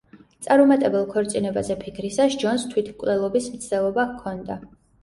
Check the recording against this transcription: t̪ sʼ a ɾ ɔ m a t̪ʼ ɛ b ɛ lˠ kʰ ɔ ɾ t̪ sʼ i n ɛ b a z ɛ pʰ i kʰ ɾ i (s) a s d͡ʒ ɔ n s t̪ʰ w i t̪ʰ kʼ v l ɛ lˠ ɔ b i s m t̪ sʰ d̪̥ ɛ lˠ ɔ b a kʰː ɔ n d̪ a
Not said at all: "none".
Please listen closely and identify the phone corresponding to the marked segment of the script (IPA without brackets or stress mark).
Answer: s